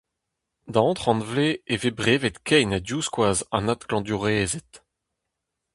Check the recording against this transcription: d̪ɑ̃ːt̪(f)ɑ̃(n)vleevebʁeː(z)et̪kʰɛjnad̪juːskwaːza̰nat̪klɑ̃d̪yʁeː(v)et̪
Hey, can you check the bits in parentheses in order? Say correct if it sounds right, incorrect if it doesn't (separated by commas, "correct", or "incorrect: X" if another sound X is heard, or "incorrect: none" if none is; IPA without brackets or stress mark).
incorrect: χ, correct, incorrect: v, incorrect: z